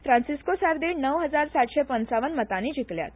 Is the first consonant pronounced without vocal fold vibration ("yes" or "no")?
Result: yes